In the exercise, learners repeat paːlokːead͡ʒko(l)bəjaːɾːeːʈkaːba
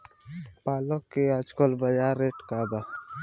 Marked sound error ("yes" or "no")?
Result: no